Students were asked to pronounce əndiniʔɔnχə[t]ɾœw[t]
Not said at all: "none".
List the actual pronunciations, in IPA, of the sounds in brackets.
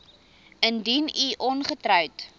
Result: t, t

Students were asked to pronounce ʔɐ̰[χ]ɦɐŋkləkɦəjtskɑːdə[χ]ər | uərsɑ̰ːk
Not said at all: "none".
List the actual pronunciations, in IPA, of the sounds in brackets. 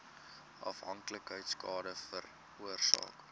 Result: f, f

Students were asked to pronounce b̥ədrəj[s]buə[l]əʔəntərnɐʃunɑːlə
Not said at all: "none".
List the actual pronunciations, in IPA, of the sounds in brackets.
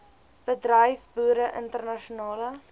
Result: f, ɾ

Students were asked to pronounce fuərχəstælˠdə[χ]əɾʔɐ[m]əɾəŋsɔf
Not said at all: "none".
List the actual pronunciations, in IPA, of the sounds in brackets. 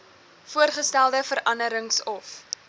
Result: f, n

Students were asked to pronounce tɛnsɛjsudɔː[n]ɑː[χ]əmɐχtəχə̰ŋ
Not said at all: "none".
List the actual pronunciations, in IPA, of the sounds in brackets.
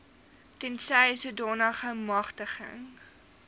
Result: n, χ

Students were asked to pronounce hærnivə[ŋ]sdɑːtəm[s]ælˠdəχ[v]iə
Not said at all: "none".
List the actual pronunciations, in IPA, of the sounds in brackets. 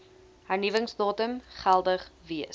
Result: ŋ, χ, v

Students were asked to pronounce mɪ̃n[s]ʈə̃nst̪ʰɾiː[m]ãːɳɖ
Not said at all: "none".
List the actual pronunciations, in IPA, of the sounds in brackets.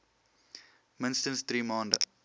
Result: s, m

